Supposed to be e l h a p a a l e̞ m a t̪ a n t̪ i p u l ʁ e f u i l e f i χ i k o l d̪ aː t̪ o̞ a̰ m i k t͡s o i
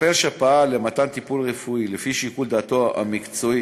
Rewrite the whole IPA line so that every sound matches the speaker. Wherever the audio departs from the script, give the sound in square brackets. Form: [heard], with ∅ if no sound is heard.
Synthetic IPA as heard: e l [ʃ] a p a a l e̞ m a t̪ a n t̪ i p u l ʁ e f u i l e f i [ʃ] i k [u] l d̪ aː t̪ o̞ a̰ m i k t͡s o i